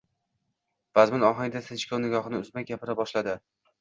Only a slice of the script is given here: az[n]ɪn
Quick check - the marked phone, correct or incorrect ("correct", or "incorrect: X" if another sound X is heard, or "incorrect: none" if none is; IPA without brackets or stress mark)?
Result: incorrect: m